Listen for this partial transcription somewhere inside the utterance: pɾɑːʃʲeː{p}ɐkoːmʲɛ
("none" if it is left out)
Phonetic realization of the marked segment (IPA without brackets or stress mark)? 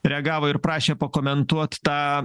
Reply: p